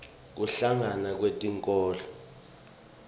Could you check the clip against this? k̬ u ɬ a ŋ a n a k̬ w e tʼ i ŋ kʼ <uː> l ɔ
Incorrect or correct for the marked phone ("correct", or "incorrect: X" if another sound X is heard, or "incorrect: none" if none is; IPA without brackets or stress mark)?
incorrect: ɔː